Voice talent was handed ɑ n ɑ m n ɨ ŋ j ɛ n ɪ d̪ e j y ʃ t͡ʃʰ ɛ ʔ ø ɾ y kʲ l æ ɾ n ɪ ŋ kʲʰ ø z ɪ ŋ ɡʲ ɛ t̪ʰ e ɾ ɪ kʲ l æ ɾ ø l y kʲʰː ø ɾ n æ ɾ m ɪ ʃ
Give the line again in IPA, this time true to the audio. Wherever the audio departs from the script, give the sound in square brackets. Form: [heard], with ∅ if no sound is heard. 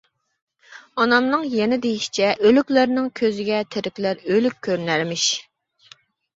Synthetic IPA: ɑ n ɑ m n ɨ ŋ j ɛ n ɪ d̪ e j [i] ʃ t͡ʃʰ ɛ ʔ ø [l] y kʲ l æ ɾ n ɪ ŋ kʲʰ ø z ɪ [∅] ɡʲ ɛ t̪ʰ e ɾ ɪ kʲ l æ ɾ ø l y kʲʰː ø ɾ n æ ɾ m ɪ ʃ